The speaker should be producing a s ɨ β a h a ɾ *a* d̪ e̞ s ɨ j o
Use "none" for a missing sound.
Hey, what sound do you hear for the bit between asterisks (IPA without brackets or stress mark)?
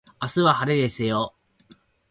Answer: e